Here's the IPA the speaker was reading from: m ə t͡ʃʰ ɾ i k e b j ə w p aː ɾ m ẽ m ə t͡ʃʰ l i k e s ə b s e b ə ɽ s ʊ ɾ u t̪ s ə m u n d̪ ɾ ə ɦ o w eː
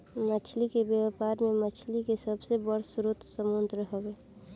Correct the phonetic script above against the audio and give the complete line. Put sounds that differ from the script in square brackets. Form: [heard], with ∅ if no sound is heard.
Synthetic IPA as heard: m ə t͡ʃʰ [l] i k e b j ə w p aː ɾ m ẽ m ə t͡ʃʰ l i k e s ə b s e b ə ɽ s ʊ ɾ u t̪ s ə m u n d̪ ɾ ə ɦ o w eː

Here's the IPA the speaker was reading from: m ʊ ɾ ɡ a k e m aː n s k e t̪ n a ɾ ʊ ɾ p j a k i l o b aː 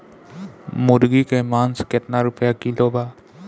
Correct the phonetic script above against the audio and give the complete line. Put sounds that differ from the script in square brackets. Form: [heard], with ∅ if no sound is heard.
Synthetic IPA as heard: m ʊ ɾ ɡ [i] k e m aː n s k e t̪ n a ɾ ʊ [∅] p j a k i l o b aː

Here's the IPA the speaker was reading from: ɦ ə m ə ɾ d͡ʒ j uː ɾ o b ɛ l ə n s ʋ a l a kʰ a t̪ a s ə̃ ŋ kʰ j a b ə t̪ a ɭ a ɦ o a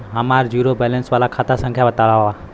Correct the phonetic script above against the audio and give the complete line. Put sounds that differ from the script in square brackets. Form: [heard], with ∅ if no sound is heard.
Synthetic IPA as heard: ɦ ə m [a] ɾ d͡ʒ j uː ɾ o b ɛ l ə n s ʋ a l a kʰ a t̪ a s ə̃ ŋ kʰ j a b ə t̪ a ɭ a ɦ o a

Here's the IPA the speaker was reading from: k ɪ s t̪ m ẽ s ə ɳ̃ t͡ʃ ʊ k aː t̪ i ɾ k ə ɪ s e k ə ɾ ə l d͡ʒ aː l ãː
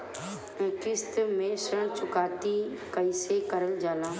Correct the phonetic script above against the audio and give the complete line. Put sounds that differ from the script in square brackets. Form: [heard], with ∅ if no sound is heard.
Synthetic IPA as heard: k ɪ s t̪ m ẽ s ə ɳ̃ t͡ʃ ʊ k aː t̪ i [∅] k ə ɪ s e k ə ɾ ə l d͡ʒ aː l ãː

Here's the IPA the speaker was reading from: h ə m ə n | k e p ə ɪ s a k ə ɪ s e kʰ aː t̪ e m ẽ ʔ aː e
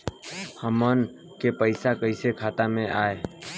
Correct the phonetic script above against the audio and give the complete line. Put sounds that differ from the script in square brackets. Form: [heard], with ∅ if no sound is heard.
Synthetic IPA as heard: h ə m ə n | k e p ə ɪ s a k ə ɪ s e kʰ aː t̪ [a] m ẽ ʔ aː e

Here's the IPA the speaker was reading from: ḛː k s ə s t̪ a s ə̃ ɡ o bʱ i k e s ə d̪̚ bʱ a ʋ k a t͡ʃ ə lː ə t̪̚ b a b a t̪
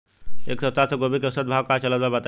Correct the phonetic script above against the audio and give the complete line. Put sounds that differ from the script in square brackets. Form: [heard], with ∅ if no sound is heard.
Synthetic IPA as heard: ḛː k s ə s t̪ a s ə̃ ɡ o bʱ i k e s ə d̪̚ bʱ a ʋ k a t͡ʃ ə [l] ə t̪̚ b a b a t̪

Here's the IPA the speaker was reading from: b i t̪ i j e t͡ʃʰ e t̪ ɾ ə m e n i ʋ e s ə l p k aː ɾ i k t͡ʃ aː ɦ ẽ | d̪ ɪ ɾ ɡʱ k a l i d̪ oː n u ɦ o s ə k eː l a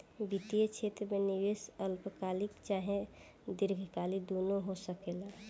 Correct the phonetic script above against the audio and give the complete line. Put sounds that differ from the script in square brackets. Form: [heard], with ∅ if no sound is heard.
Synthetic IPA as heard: b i t̪ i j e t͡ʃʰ e t̪ ɾ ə m e n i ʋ e s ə l p k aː [l] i k t͡ʃ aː ɦ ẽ | d̪ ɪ ɾ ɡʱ k a l i d̪ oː n [o] ɦ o s ə k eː l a

